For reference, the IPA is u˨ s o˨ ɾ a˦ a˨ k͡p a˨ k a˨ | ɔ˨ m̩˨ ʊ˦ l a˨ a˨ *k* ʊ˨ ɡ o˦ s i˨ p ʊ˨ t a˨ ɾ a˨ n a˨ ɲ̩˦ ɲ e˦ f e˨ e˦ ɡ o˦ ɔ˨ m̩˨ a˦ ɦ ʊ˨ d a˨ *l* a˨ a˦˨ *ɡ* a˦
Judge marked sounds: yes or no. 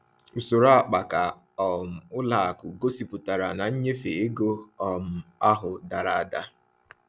yes, no, no

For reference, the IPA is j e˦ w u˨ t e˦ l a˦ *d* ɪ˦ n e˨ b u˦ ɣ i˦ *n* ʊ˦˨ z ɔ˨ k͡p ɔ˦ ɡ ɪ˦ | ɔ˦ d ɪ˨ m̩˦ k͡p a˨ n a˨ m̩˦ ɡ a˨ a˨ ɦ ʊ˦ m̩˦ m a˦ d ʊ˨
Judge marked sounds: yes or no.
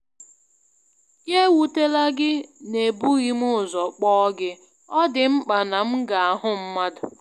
no, no

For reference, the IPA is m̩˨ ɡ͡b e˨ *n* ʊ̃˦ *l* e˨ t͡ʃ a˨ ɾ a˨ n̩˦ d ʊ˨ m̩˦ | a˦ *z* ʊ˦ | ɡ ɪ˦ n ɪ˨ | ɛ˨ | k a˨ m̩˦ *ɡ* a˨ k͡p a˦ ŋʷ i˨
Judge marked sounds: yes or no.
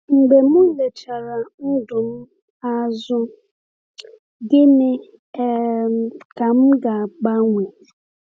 no, yes, yes, yes

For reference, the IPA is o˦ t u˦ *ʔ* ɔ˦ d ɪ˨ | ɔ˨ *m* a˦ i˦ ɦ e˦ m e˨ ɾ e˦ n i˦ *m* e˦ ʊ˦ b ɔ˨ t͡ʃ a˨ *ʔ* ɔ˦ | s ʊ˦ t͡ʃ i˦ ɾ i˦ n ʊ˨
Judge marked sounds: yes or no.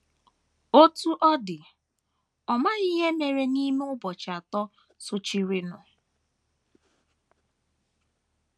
yes, yes, yes, no

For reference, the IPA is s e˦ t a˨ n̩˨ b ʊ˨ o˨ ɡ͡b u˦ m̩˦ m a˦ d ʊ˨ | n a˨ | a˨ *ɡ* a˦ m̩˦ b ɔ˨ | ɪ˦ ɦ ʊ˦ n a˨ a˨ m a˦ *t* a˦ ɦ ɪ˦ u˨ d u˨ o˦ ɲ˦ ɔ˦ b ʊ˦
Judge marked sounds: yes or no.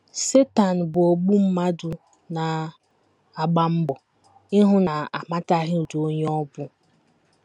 no, yes

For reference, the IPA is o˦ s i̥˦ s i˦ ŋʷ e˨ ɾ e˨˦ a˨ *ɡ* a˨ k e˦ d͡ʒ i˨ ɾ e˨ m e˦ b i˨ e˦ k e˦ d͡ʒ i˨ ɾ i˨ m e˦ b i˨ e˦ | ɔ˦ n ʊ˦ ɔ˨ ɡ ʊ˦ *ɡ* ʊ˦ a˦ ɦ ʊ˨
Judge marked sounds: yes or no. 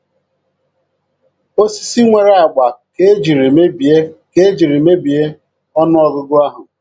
no, yes

